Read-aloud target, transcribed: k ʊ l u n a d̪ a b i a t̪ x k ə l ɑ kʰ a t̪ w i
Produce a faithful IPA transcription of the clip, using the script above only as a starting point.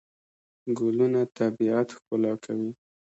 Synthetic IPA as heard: ɡ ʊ l u n a t̪ a b i a t̪ x p ə l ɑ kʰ a w i